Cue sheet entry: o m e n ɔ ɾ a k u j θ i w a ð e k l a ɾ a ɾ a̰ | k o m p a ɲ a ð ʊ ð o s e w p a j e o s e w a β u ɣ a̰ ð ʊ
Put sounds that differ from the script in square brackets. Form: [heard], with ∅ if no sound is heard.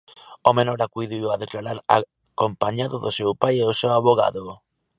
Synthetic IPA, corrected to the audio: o m e n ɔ ɾ a k u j [ð] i w a ð e k l a ɾ a ɾ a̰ | k o m p a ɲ a ð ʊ ð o s e w p a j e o s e w a β [o] ɣ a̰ ð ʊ